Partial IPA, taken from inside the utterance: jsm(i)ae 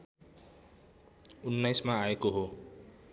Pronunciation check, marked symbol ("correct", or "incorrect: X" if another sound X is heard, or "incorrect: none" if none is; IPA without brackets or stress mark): incorrect: a